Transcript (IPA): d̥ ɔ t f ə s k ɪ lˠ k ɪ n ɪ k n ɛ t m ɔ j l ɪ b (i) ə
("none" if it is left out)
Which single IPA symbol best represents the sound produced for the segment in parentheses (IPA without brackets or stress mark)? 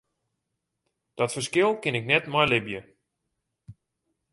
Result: j